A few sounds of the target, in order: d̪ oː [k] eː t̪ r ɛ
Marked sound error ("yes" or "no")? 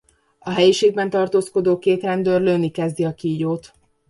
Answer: no